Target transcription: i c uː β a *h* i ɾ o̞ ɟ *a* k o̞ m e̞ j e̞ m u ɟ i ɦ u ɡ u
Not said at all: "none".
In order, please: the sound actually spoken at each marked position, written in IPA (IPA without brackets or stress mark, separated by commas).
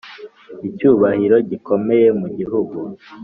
h, i